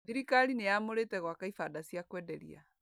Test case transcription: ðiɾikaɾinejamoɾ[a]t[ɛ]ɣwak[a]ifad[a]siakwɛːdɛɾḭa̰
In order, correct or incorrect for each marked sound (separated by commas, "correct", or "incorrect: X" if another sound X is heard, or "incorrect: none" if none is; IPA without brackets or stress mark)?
incorrect: e, correct, correct, correct